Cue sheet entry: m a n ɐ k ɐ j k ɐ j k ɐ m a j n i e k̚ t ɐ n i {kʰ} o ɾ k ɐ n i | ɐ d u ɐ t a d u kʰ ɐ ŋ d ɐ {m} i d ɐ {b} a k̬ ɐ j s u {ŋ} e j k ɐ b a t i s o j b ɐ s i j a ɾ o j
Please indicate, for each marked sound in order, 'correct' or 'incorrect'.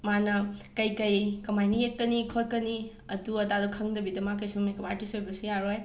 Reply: correct, incorrect: b, incorrect: m, incorrect: m

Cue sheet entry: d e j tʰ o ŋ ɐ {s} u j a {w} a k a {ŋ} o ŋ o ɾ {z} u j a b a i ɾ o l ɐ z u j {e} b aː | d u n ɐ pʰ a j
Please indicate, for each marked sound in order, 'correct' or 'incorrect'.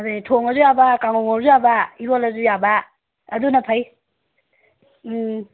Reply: incorrect: z, incorrect: b, correct, correct, incorrect: a

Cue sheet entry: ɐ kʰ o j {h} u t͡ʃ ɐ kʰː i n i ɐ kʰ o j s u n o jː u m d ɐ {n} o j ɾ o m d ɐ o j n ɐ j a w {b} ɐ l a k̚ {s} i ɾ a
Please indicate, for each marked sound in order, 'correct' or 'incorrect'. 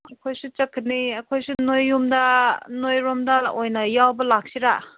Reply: incorrect: s, correct, correct, correct

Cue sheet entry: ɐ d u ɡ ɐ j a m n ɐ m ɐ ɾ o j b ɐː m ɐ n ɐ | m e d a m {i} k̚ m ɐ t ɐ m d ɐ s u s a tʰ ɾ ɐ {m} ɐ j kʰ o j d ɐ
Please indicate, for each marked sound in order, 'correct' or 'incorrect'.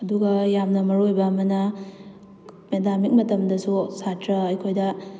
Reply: correct, incorrect: none

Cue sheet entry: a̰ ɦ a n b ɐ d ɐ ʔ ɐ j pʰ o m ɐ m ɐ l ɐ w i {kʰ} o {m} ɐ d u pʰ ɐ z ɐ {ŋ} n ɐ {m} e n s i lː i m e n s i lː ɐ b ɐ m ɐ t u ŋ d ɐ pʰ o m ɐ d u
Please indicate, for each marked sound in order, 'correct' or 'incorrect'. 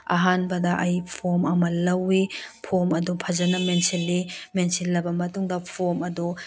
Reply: incorrect: pʰ, correct, incorrect: none, correct

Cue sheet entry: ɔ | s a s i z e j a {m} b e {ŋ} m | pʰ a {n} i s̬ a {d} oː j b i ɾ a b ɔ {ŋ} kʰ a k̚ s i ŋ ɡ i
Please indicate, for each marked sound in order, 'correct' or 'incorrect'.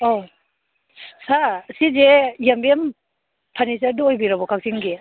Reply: correct, incorrect: none, correct, correct, incorrect: none

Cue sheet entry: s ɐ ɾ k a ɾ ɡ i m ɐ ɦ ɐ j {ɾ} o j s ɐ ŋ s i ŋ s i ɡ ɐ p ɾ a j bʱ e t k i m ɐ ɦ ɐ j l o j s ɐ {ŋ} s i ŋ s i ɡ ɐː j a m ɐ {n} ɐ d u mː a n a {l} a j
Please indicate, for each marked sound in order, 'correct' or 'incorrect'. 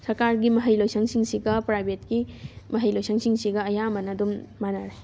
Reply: incorrect: l, correct, correct, incorrect: ɾ

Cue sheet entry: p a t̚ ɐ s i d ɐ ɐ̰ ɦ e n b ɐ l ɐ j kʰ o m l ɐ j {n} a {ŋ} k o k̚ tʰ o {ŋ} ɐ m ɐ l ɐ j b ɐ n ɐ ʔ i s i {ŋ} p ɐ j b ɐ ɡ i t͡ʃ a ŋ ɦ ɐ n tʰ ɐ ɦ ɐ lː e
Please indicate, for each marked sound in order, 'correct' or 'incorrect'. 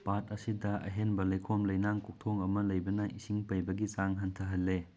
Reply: correct, correct, correct, correct

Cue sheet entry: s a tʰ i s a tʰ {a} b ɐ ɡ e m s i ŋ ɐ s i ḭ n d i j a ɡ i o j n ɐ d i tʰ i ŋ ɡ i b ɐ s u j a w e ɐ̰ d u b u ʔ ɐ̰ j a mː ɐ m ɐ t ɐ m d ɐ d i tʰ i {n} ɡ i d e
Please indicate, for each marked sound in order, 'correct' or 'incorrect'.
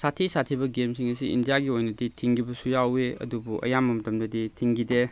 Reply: incorrect: i, incorrect: ŋ

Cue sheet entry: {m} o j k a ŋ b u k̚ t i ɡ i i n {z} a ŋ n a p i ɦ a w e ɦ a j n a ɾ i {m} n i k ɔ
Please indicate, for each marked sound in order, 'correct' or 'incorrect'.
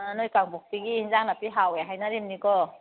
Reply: incorrect: n, correct, correct

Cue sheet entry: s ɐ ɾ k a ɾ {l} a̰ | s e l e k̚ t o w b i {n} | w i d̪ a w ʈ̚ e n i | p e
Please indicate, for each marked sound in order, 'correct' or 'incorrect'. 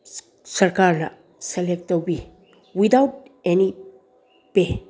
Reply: correct, incorrect: none

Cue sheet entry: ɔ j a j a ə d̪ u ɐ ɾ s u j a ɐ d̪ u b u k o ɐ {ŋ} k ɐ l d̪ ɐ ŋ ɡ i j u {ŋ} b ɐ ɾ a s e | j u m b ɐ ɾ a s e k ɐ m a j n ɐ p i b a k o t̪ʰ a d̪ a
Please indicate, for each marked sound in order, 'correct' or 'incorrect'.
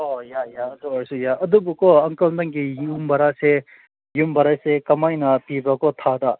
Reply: correct, incorrect: m

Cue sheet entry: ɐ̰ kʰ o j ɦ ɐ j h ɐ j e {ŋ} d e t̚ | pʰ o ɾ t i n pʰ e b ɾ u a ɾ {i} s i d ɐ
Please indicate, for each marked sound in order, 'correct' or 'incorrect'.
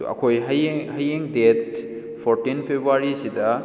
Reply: correct, correct

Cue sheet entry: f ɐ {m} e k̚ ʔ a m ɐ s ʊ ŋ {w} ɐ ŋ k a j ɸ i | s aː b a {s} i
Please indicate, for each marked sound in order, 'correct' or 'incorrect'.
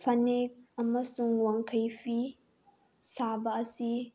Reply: incorrect: n, correct, correct

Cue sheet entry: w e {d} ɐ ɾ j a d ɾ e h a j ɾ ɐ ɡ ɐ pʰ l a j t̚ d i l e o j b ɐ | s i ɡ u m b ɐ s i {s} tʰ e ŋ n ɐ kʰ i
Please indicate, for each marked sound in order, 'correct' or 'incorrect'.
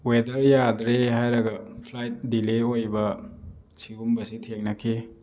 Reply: correct, incorrect: none

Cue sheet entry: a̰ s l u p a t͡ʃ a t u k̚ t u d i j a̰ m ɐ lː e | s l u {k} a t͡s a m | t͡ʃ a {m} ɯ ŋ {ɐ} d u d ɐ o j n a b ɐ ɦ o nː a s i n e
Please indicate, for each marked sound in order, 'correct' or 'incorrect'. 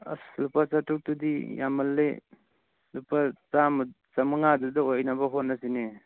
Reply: incorrect: p, correct, incorrect: a

